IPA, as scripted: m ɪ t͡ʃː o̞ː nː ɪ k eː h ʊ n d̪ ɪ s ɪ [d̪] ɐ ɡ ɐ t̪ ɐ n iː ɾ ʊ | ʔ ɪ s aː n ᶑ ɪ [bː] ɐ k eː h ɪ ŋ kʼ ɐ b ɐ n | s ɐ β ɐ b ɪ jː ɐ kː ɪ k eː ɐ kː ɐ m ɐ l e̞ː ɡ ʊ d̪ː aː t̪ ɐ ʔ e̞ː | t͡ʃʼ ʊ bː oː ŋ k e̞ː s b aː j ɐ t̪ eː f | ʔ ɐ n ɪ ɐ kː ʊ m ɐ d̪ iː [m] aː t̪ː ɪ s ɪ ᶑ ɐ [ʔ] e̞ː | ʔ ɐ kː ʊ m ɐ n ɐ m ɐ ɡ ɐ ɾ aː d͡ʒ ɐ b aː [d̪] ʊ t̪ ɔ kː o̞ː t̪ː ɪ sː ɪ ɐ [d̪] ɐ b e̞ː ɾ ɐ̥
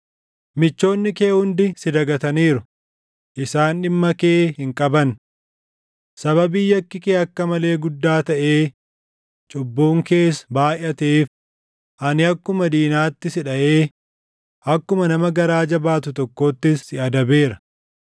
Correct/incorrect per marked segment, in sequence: correct, incorrect: mː, incorrect: n, correct, incorrect: t̪, correct

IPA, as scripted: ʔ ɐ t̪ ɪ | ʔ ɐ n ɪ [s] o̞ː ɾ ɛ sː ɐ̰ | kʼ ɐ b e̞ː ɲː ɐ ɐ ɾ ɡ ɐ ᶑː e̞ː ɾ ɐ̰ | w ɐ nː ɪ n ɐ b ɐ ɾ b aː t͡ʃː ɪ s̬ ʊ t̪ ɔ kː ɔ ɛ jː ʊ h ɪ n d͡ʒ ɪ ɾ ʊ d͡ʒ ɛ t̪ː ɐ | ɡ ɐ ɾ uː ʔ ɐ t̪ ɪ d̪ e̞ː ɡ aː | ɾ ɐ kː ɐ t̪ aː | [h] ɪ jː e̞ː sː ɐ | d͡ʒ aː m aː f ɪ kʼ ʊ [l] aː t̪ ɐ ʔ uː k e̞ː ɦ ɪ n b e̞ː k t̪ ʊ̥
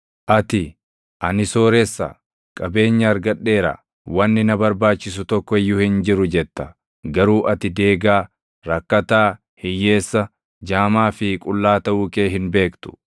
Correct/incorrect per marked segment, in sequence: correct, correct, incorrect: lː

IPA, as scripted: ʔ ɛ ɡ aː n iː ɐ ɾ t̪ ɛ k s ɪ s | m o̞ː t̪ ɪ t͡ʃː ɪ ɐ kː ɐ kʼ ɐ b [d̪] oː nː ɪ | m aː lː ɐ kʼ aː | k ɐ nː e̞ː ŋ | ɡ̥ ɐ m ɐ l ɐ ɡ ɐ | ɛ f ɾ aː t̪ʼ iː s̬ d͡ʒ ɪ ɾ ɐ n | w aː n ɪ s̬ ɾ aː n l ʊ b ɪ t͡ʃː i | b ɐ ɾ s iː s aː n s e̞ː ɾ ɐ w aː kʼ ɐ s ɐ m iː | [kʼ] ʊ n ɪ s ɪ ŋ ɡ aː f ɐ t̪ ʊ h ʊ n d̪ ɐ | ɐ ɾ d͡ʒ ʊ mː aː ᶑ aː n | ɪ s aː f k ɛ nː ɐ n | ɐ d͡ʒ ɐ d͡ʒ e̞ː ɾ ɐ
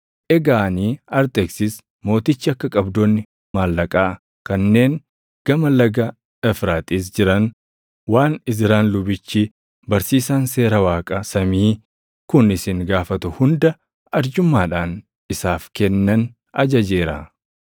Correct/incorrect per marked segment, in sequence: correct, incorrect: k

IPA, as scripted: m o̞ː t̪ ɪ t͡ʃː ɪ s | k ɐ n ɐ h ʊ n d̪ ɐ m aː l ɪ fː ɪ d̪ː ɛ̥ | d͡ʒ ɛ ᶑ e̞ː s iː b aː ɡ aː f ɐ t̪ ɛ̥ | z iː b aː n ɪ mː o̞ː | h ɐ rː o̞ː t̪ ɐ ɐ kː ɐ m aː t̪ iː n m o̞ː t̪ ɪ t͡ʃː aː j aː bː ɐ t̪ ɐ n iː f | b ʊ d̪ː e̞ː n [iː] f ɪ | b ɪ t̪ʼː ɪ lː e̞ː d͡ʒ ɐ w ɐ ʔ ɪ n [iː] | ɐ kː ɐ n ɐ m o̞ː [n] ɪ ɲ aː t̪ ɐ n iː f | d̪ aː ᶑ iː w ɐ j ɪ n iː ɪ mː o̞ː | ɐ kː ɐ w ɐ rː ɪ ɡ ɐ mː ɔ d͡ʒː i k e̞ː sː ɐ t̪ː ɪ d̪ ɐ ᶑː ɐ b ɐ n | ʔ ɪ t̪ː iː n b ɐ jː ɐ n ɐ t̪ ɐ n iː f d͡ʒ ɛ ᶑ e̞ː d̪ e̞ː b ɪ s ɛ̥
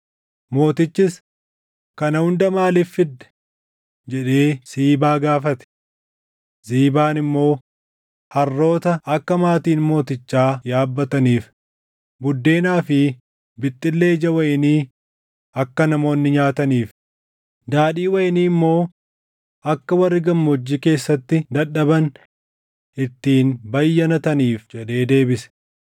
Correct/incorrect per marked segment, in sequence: incorrect: aː, correct, incorrect: nː

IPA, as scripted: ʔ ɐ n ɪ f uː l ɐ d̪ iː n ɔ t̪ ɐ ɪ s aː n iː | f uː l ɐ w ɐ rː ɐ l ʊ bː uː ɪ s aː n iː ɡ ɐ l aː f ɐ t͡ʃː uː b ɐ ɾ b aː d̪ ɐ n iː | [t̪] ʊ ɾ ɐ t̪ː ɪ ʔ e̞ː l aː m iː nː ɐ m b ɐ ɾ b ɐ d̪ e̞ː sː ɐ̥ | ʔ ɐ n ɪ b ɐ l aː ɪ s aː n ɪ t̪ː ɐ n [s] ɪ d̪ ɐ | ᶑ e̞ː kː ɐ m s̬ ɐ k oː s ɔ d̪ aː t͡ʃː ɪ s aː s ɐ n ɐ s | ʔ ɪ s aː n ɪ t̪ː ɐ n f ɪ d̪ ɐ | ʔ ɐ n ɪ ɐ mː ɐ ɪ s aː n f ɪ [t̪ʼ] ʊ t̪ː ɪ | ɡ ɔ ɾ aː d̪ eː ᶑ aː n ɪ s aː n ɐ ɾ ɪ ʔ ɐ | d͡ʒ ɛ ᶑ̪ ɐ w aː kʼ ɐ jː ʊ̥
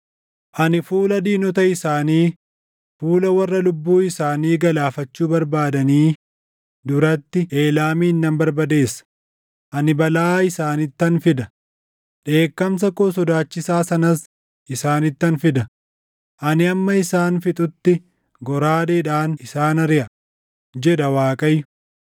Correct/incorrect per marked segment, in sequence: incorrect: d̪, incorrect: f, correct

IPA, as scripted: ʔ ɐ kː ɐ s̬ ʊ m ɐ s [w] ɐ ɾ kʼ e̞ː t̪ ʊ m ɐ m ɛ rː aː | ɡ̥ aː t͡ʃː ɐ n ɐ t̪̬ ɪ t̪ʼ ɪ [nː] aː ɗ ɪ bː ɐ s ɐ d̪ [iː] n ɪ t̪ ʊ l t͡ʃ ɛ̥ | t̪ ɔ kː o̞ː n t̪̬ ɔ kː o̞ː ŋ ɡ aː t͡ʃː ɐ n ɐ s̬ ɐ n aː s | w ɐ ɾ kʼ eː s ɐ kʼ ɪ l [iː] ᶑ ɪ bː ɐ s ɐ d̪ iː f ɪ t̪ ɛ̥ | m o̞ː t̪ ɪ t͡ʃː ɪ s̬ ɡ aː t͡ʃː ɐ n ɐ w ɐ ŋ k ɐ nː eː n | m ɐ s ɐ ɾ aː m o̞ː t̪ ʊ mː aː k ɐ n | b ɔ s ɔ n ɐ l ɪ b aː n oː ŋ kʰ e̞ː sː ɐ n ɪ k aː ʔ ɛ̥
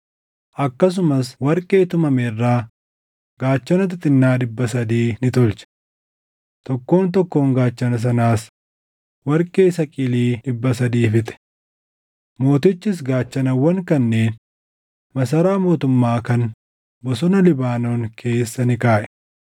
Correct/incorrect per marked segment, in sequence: correct, correct, correct, correct

